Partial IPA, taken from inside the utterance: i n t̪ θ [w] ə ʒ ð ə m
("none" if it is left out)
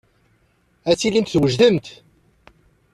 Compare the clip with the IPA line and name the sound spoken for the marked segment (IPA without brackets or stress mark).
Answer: w